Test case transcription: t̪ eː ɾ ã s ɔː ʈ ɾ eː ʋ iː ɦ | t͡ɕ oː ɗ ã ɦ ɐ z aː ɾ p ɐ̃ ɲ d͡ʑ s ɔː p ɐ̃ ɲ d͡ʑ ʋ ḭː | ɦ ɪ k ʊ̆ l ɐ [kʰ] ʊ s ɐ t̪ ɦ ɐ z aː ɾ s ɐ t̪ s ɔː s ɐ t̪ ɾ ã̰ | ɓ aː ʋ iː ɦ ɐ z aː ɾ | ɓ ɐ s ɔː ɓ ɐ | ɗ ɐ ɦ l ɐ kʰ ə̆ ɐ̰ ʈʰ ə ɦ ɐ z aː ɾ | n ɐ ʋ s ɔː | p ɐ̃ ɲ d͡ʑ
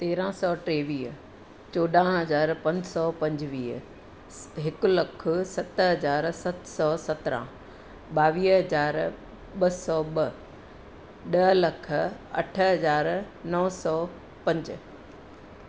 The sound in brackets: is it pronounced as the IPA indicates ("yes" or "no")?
yes